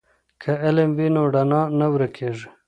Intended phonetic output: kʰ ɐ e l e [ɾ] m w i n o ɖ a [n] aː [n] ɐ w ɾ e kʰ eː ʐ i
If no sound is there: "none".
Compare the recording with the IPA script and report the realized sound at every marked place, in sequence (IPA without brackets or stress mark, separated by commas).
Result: none, n, n